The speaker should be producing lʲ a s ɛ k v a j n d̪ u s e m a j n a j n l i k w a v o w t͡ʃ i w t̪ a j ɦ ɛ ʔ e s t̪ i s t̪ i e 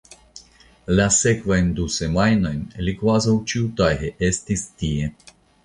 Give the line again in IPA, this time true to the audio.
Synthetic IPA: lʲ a s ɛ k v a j n d̪ u s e m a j n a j n l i k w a z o w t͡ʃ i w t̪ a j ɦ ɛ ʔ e s t̪ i s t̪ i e